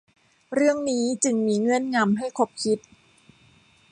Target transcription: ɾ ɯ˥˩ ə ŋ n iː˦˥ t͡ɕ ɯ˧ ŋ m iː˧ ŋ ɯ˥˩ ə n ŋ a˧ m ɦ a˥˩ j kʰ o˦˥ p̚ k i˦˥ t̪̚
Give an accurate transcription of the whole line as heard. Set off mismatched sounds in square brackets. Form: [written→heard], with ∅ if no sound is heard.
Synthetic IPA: ɾ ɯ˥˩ ə ŋ n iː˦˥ t͡ɕ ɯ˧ ŋ m iː˧ ŋ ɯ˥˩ ə n ŋ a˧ m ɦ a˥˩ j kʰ o˦˥ p̚ [k→kʰ] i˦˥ t̪̚